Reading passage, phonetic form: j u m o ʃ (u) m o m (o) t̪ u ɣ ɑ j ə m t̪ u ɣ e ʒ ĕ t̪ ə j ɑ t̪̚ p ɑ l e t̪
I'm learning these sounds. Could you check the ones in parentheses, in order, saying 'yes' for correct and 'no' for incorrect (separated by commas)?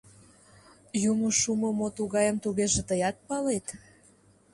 yes, yes